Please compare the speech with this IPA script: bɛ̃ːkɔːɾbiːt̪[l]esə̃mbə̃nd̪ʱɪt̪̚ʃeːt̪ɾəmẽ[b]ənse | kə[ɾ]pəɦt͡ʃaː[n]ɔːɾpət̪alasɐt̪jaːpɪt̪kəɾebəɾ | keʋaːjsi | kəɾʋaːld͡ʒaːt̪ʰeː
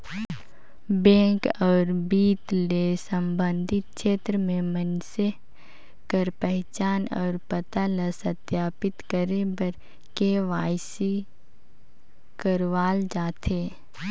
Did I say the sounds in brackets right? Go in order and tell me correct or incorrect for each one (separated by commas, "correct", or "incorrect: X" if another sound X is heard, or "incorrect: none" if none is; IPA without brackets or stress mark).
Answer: correct, incorrect: m, correct, correct